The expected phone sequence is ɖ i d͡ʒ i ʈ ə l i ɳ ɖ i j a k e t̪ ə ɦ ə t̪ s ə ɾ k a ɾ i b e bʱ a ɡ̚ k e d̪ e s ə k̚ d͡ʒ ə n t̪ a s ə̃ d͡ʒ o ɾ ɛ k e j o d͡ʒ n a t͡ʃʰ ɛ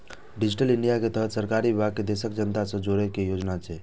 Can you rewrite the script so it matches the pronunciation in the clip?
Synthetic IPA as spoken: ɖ i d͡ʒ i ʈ ə l i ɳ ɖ i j a k e t̪ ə ɦ ə t̪ s ə ɾ k a ɾ i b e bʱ a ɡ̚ k e d̪ e s ə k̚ d͡ʒ ə n t̪ a s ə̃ d͡ʒ o ɾ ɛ k e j o d͡ʒ n a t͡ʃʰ ɛ